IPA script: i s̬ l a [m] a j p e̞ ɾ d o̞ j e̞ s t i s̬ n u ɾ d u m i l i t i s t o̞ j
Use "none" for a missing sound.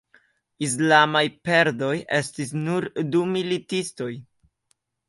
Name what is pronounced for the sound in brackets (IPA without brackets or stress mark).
m